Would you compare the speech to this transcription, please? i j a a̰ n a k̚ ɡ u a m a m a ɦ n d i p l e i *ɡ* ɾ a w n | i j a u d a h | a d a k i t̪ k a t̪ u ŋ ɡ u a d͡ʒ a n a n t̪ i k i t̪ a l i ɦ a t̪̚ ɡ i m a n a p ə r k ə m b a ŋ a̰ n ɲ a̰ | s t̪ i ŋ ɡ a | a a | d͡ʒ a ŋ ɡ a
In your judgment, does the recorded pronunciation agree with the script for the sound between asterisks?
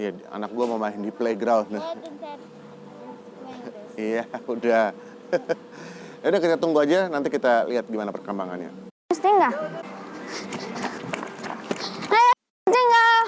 yes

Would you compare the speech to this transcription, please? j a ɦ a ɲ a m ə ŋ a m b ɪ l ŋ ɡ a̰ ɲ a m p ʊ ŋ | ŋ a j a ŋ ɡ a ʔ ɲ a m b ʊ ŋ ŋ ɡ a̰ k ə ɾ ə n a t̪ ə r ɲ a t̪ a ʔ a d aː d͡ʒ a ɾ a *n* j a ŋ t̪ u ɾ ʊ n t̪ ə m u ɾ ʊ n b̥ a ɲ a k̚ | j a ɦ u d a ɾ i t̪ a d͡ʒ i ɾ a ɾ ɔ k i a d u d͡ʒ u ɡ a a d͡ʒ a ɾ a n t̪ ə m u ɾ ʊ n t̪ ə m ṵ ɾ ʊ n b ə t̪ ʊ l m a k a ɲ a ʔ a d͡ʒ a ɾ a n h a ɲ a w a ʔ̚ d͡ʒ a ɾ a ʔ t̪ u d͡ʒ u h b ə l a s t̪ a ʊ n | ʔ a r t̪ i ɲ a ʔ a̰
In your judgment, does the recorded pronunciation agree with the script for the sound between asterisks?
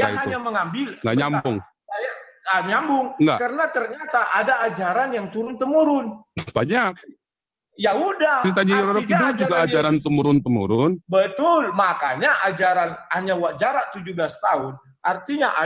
yes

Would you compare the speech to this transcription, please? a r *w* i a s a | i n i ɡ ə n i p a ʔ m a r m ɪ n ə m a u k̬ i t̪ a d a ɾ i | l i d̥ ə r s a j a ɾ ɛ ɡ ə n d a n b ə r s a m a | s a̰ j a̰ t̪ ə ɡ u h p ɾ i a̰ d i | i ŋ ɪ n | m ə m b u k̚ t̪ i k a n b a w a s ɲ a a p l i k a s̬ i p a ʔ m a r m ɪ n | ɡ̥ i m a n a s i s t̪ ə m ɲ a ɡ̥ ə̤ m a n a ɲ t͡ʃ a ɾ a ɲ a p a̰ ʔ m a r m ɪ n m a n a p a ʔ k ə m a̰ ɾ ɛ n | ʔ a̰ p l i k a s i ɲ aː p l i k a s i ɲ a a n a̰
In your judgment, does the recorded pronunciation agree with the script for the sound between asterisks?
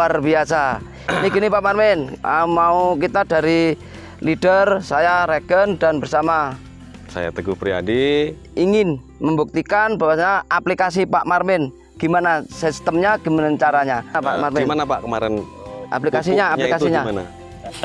no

